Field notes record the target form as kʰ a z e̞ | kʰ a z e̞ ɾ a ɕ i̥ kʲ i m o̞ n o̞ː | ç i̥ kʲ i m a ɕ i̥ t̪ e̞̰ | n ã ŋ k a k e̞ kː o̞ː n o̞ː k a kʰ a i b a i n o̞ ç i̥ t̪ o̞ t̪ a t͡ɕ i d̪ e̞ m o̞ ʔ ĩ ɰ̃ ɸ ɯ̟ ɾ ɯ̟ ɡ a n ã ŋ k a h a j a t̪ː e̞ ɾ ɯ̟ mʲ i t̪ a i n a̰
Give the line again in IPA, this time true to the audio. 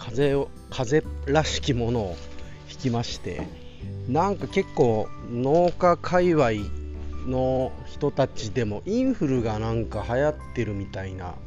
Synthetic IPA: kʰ a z e̞ | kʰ a z e̞ ɾ a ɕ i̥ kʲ i m o̞ n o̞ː | ç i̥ kʲ i m a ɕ i̥ t̪ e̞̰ | n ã ŋ k a k e̞ kː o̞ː n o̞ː k a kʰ a i β a i n o̞ ç i̥ t̪ o̞ t̪ a t͡ɕ i d̪ e̞ m o̞ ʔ ĩ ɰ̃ ɸ ɯ̟ ɾ ɯ̟ ɡ a n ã ŋ k a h a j a t̪ː e̞ ɾ ɯ̟ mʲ i t̪ a i n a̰